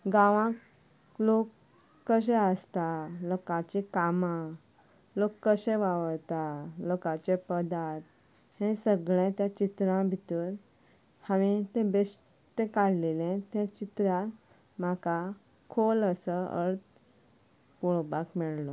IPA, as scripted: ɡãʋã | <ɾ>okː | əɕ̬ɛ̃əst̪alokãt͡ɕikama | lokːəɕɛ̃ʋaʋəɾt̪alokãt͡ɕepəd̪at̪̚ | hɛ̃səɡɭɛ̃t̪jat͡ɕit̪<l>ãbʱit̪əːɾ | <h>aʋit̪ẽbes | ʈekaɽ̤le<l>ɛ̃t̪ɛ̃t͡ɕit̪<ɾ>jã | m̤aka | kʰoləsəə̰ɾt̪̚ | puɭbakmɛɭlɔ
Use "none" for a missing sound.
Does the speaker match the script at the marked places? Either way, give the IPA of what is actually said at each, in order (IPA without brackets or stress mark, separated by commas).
l, ɾ, h, l, ɾ